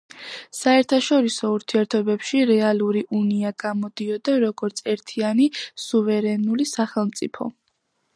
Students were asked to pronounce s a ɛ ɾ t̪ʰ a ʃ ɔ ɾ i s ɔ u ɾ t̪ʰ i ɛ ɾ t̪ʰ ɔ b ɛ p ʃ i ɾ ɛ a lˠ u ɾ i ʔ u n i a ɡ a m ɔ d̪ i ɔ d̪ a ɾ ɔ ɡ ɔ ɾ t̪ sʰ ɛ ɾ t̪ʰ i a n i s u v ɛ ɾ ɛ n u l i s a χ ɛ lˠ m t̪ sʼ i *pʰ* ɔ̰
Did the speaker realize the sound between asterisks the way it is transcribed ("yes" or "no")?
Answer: yes